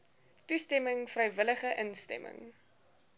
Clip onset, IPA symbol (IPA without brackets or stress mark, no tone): t